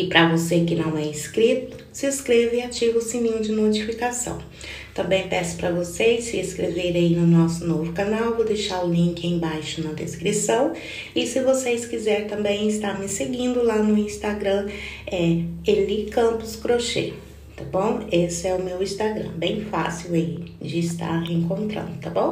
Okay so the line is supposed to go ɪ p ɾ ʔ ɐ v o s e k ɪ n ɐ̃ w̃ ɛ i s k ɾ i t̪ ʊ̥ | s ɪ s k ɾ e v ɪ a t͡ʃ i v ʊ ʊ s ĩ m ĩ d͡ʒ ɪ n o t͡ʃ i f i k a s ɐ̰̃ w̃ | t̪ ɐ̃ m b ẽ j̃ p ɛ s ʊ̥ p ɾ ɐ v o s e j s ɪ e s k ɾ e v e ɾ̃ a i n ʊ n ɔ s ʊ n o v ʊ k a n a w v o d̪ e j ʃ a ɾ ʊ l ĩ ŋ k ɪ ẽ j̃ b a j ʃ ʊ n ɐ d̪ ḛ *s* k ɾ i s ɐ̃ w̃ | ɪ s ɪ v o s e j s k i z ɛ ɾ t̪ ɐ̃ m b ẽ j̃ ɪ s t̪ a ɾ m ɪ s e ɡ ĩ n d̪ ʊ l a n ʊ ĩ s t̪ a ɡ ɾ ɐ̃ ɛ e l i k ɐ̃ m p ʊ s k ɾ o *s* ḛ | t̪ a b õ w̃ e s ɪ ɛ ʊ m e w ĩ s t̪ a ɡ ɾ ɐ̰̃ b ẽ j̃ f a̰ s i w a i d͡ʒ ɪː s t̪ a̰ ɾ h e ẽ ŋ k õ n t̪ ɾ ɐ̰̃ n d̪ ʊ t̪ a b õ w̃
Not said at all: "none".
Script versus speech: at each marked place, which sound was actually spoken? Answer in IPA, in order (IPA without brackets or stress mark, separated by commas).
s, ʃ